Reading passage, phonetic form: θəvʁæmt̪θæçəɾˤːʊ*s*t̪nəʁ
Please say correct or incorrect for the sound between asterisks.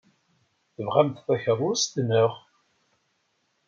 correct